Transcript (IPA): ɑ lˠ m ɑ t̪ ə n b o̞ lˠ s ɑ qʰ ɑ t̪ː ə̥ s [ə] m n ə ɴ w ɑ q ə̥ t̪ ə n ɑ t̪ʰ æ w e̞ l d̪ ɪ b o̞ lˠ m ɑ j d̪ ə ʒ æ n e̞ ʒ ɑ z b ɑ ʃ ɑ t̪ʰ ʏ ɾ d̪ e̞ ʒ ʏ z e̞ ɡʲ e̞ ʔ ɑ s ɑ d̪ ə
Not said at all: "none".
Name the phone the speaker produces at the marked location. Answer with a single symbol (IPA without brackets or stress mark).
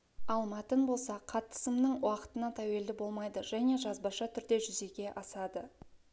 ə